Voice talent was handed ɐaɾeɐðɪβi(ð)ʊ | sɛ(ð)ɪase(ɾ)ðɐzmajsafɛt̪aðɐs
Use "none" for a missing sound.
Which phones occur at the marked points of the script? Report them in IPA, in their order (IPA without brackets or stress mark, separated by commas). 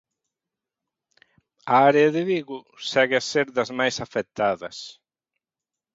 ɣ, ɣ, ɾ